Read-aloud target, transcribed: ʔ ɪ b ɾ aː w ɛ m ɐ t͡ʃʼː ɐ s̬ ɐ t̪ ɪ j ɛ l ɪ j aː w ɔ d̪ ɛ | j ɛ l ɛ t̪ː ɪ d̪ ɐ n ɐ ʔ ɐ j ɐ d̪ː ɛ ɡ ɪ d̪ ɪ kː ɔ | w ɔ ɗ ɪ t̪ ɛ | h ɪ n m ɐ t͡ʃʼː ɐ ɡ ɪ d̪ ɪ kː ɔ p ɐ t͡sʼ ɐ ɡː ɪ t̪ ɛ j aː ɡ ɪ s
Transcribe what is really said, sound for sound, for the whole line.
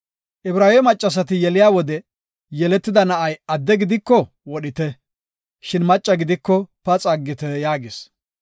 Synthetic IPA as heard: ʔ ɪ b ɾ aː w ɛ m ɐ t͡ʃʼː ɐ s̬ ɐ t̪ ɪ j ɛ l ɪ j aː w ɔ d̪ ɛ | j ɛ l ɛ t̪ː ɪ d̪ ɐ n ɐ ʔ ɐ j ɐ d̪ː ɛ ɡ ɪ d̪ ɪ kː ɔ | w ɔ ɗ ɪ t̪ ɛ | ʃ ɪ n m ɐ t͡ʃʼː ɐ ɡ ɪ d̪ ɪ kː ɔ p ɐ t͡sʼ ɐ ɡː ɪ t̪ ɛ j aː ɡ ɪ s